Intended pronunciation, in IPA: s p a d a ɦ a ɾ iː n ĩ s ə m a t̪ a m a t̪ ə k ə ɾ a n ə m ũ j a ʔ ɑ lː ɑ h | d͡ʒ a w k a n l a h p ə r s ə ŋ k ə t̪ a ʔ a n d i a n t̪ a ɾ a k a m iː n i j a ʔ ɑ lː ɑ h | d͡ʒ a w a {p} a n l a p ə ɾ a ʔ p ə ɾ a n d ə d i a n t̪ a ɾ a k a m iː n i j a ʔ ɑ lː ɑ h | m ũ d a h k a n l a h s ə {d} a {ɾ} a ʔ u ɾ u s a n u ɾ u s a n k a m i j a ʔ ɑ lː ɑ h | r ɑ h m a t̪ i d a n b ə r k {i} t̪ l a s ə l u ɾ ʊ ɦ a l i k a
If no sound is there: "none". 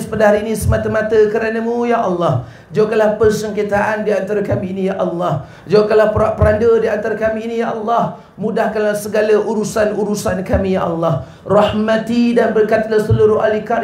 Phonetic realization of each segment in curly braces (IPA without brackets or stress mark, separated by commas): k, ɡ, l, a